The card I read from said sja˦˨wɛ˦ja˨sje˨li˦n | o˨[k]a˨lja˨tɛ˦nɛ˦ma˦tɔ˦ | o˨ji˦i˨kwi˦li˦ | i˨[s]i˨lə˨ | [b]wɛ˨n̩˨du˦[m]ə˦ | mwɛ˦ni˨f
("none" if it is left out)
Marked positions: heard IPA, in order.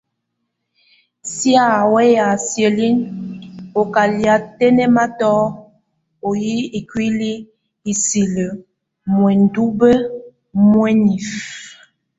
k, s, m, b

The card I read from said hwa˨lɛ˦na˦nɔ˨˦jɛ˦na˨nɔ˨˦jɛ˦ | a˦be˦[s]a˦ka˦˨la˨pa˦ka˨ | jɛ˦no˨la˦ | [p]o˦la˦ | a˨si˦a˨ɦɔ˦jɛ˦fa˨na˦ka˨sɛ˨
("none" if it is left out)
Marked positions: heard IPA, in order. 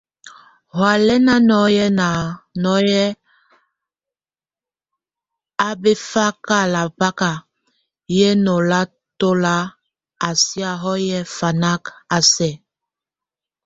f, t

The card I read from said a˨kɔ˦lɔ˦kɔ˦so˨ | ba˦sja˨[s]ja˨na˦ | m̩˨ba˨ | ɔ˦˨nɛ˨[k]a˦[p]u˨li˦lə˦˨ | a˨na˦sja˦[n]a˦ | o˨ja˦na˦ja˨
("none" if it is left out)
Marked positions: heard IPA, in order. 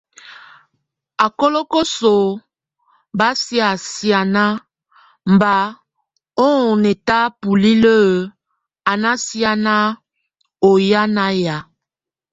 s, t, p, n

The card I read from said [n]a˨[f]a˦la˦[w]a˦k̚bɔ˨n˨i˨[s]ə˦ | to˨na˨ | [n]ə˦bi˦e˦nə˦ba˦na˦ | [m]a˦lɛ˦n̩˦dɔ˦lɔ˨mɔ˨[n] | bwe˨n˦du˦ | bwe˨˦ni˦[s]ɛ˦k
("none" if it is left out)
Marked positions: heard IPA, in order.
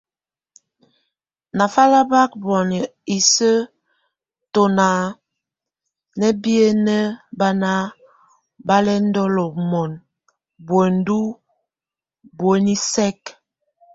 n, f, b, s, n, b, n, s

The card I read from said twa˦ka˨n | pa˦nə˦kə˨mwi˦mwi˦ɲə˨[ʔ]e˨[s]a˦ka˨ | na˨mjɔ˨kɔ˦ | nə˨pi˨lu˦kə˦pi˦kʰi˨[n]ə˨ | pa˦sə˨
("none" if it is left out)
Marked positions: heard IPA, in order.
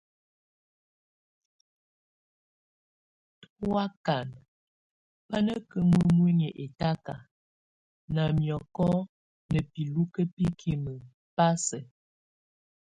ʔ, t, m

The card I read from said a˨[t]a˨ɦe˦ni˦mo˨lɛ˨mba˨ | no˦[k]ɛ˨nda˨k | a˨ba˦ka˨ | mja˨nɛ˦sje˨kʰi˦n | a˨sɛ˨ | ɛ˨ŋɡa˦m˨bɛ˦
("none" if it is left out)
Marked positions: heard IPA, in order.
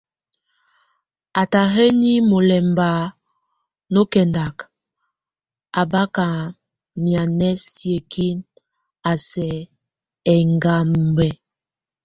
t, k

